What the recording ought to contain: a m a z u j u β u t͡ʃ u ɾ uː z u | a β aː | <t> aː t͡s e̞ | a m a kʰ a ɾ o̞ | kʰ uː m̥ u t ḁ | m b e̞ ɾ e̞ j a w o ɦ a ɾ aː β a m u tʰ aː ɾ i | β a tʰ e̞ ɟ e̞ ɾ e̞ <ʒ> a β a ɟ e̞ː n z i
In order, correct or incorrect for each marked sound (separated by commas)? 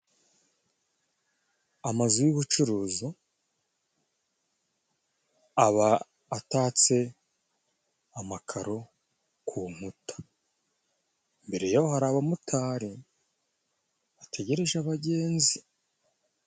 correct, correct